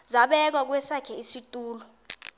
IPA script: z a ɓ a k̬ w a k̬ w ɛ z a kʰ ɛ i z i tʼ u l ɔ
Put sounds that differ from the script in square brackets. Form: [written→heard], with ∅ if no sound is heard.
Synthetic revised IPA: z a ɓ [a→ɛ] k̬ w a k̬ w ɛ [z→s] a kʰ ɛ i [z→s] i tʼ [u→uː] l ɔ